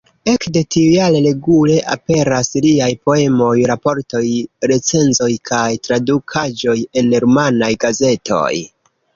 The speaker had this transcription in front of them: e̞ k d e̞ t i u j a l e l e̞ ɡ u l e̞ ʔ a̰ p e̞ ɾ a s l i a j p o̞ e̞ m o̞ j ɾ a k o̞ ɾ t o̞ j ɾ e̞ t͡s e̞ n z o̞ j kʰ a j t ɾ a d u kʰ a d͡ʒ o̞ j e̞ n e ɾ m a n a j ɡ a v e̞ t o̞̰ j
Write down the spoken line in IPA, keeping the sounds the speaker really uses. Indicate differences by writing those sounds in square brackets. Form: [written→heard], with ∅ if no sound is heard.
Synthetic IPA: e̞ k d e̞ t i u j a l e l e̞ ɡ u l e̞ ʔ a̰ p e̞ ɾ a s l i a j p o̞ e̞ m o̞ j ɾ a [k→p] o̞ ɾ t o̞ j ɾ e̞ t͡s e̞ n z o̞ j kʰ a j t ɾ a d u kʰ a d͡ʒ o̞ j e̞ n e ɾ m a n a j ɡ a [v→z] e̞ t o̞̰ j